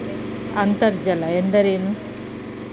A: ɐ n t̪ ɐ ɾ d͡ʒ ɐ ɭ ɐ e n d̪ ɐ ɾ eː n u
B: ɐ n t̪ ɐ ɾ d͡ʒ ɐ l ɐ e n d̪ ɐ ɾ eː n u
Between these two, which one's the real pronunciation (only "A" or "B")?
B